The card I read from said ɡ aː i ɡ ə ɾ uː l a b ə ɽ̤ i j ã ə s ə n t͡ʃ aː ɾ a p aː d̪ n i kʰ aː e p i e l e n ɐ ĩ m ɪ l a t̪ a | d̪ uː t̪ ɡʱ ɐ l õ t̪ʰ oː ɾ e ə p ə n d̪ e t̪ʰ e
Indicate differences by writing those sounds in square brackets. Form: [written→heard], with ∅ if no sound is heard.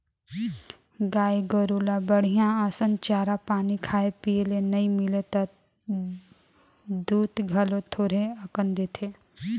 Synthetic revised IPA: ɡ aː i ɡ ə ɾ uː l a b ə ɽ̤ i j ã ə s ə n t͡ʃ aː ɾ a p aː [d̪→∅] n i kʰ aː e p i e l e n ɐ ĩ m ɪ l [a→e] t̪ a | d̪ uː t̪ ɡʱ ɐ l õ t̪ʰ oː ɾ e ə [p→k] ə n d̪ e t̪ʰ e